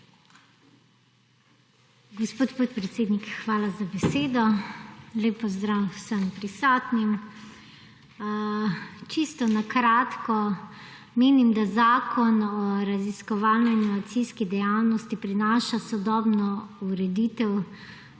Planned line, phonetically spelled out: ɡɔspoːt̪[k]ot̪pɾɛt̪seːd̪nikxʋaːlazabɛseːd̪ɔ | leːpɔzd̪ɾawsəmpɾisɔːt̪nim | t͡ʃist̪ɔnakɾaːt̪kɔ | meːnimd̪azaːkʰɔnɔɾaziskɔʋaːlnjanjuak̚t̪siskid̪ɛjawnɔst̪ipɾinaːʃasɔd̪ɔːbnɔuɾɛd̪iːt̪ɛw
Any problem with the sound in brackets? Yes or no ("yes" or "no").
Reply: yes